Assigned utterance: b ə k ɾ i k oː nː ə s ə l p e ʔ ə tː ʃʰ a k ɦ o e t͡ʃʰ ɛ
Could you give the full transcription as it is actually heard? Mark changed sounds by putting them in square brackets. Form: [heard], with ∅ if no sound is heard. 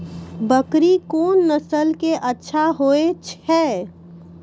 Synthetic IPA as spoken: b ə k ɾ i k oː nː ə s ə l [k] e ʔ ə tː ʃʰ a [∅] ɦ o e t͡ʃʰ ɛ